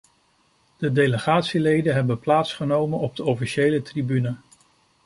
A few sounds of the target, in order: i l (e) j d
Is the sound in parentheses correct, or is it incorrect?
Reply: correct